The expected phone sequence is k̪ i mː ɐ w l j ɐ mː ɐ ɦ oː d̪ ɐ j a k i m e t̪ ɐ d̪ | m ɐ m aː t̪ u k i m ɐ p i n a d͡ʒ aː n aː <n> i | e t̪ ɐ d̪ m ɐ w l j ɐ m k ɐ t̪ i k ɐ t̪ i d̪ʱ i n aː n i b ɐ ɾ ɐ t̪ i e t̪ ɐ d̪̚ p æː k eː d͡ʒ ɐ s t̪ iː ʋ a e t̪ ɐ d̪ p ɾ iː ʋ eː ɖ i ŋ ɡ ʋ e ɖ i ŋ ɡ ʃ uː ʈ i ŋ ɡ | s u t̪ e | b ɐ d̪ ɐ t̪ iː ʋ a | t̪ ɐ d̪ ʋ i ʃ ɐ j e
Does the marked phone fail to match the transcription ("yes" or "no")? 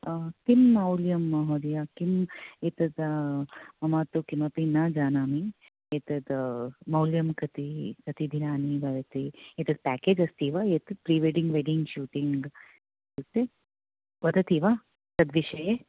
yes